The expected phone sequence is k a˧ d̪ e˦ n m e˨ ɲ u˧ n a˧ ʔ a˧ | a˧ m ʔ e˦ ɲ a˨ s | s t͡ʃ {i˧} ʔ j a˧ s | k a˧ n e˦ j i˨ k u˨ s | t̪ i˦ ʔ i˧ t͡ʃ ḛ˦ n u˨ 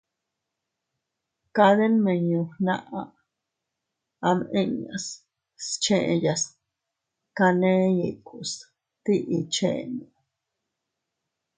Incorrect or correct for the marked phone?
incorrect: e˧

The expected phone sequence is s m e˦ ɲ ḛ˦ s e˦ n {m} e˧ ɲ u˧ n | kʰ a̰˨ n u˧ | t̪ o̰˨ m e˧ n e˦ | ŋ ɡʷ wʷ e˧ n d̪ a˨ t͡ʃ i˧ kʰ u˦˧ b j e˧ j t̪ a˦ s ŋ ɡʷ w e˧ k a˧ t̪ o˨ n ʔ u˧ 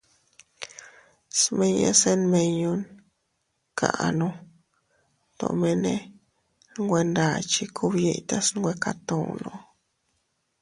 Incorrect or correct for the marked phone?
correct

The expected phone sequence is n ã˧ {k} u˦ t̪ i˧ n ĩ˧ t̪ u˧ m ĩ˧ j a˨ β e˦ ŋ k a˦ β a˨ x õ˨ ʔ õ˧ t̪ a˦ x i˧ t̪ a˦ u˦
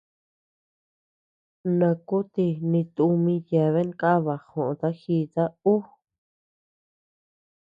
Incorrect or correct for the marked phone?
correct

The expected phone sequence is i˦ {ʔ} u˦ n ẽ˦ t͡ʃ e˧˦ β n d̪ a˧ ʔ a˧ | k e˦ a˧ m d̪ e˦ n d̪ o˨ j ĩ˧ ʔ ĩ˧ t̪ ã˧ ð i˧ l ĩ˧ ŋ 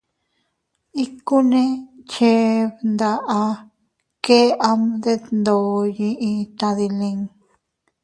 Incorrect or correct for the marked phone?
incorrect: k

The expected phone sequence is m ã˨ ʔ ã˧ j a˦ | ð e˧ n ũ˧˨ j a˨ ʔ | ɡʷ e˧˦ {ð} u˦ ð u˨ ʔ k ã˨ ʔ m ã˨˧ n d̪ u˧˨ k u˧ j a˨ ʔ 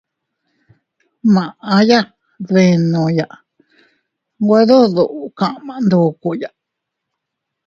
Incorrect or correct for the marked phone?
correct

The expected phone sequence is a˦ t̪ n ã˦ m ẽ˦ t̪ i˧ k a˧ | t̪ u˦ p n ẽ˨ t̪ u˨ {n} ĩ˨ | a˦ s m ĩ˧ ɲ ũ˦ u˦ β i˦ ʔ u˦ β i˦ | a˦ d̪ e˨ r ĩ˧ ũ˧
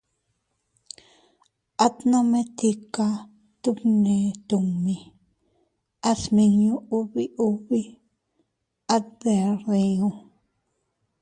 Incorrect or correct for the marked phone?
incorrect: m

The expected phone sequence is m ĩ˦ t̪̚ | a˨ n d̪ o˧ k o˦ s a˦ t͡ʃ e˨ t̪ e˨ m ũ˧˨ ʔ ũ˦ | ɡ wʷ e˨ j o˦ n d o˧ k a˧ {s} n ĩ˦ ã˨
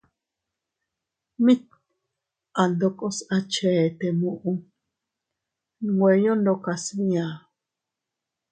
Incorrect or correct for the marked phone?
correct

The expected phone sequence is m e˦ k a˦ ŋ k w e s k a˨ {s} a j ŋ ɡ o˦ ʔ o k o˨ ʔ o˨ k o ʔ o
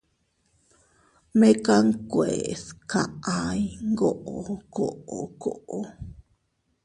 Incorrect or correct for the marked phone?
incorrect: none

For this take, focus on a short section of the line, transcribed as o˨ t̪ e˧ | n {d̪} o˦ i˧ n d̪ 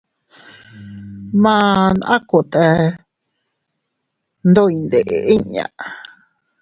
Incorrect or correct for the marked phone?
correct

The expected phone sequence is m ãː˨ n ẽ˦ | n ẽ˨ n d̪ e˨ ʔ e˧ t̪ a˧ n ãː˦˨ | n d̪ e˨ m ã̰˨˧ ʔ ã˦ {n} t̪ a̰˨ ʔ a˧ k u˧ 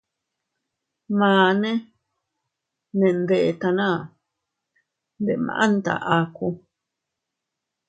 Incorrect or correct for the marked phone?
correct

